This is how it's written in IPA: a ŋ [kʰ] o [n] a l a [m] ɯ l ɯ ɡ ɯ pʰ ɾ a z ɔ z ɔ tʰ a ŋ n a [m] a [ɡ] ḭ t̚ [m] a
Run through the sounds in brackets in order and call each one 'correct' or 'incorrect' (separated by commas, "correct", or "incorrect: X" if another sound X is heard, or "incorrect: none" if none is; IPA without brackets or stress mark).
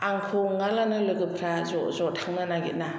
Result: correct, incorrect: ŋ, incorrect: n, incorrect: n, correct, incorrect: n